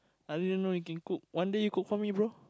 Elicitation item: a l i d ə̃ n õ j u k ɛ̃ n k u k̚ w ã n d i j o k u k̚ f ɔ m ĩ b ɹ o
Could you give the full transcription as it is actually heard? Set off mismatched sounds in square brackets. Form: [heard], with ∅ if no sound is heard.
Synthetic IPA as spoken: a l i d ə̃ n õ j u k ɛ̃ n k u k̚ w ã n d [e] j [u] k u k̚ f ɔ m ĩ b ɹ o